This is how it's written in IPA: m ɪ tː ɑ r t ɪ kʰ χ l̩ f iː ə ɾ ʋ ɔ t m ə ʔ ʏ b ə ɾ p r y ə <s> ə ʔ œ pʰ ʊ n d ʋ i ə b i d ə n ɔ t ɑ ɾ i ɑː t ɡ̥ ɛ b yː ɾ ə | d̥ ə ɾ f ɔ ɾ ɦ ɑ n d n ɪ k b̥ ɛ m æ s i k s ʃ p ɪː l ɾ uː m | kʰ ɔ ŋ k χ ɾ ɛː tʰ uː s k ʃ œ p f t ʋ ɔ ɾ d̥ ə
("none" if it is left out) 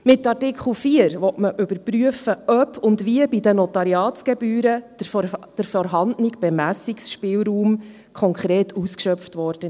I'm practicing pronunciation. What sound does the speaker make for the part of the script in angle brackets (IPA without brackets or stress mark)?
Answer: f